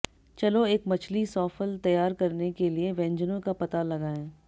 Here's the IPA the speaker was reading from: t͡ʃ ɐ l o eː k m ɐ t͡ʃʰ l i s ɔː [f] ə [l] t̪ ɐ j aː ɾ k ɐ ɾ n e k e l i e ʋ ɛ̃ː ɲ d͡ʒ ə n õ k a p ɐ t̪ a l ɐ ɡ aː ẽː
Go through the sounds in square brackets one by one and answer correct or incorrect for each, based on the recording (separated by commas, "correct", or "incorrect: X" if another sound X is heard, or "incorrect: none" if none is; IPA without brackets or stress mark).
correct, correct